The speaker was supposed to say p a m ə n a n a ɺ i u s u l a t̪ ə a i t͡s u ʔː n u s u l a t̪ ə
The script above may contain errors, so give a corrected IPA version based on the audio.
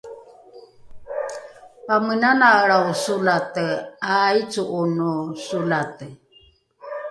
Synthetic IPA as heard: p a m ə n a n a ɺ a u s u l a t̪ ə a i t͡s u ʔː n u s u l a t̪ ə